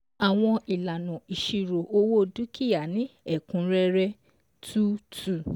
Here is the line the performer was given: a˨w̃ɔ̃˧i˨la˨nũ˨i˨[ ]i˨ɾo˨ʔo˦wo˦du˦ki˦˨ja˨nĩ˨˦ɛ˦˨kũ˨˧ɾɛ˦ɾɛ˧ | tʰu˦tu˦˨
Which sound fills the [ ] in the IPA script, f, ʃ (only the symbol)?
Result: ʃ